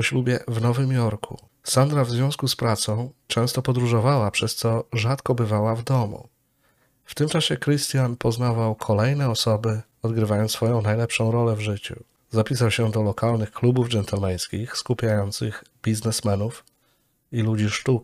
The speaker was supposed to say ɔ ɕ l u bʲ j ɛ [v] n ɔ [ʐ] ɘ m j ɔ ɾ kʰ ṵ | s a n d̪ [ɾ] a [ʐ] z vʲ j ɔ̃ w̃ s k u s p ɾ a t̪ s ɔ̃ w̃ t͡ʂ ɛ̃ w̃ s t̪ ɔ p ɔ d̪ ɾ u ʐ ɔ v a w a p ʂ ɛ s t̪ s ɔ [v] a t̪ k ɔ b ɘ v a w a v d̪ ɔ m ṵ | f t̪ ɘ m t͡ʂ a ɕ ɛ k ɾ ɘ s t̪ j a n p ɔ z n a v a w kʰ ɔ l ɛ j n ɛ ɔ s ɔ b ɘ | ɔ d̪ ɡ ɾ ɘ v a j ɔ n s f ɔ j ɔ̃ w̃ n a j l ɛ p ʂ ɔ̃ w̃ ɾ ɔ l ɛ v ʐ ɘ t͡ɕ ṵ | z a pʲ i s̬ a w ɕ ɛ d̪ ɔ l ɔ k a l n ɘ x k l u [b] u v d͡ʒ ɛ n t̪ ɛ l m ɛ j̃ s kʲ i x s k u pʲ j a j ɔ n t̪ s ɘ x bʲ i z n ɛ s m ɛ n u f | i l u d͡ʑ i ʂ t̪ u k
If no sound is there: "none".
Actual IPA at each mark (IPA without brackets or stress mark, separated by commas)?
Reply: v, v, ɾ, v, ʐ, b